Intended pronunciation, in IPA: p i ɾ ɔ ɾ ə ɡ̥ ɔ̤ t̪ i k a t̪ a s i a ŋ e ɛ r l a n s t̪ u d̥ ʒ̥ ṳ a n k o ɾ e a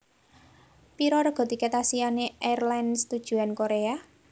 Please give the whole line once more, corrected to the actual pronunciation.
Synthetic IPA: p i ɾ ɔ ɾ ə ɡ̥ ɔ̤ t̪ i k e t̪ a s i a n e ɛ r l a n s t̪ u d̥ ʒ̥ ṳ a n k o ɾ e a

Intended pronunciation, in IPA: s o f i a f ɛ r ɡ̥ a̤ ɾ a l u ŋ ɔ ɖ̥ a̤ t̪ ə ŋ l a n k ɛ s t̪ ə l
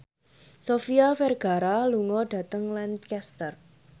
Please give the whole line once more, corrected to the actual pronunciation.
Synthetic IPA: s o f i a f ɛ r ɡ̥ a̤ ɾ a l u ŋ ɔ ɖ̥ a̤ t̪ ə ŋ l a n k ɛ s t̪ ə r

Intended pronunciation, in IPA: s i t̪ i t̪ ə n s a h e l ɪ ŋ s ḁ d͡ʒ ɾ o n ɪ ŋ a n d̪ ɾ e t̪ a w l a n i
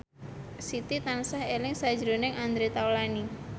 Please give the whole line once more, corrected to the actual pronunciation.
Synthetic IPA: s i t̪ i t̪ a n s a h e l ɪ ŋ s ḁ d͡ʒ ɾ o n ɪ ŋ a n d̪ ɾ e t̪ a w l a n i

